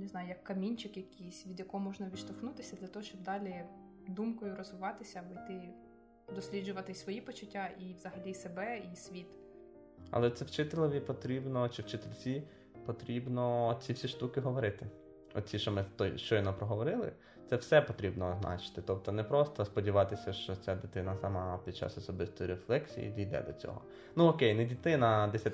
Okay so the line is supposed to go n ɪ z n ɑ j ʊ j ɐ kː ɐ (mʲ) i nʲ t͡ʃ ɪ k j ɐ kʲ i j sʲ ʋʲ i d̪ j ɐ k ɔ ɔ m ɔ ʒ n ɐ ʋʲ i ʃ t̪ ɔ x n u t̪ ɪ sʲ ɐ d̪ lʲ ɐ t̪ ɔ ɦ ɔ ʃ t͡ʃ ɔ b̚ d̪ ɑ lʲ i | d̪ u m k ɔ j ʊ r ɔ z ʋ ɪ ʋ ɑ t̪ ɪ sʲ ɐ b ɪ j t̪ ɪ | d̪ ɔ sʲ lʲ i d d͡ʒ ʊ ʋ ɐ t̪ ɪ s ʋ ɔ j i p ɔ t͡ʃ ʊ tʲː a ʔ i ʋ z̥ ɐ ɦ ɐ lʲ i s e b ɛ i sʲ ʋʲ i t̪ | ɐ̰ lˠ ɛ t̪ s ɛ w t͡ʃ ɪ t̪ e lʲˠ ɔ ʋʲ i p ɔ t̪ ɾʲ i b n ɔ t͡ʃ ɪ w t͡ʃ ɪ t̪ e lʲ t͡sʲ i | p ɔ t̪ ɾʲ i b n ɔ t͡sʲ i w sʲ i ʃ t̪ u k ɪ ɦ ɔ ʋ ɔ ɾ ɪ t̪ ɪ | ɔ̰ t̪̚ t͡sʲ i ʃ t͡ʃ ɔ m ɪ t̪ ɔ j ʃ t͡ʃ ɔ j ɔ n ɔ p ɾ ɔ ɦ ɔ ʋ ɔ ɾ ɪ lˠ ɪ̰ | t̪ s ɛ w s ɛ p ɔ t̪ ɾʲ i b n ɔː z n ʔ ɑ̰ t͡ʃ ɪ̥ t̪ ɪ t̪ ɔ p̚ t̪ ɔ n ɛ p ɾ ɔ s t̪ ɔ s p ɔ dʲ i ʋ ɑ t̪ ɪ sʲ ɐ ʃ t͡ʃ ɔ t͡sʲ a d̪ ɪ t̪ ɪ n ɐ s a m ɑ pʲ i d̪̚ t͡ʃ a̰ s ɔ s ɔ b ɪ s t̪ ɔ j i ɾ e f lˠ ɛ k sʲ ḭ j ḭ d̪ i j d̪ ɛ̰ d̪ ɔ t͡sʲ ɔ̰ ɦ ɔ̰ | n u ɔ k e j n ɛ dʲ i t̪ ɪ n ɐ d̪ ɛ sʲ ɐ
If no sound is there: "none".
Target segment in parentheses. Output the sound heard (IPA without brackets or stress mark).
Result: mʲ